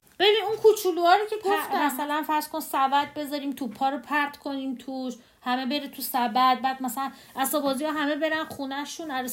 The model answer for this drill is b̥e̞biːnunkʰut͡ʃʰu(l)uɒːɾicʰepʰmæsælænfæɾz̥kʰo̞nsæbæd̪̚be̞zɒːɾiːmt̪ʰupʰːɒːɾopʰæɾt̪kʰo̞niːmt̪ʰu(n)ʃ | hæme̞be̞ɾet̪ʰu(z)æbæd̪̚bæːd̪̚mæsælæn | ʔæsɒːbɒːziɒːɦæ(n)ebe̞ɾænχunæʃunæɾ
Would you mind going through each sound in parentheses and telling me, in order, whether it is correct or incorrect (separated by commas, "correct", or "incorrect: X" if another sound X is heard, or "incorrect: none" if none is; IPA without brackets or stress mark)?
correct, incorrect: none, incorrect: s, incorrect: m